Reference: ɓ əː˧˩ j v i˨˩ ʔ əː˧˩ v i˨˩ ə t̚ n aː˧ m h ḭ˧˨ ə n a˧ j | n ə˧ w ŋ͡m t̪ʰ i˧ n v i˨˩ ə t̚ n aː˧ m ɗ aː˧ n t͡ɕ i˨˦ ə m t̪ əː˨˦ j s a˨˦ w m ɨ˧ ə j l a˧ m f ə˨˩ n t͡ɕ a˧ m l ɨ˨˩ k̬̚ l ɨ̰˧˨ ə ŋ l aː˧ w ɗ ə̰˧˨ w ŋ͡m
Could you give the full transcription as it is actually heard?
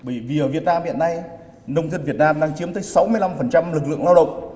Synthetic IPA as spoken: ɓ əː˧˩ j v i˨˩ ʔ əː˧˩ v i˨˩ ə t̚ n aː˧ m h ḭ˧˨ ə n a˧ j | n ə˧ w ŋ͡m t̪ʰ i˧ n v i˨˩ ə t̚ n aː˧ m ɗ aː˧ ŋ t͡ɕ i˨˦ ə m t̪ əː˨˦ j s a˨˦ w m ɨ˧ ə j l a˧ m f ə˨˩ n t͡ɕ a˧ m l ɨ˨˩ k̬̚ l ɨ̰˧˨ ə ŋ l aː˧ w ɗ ə̰˧˨ w ŋ͡m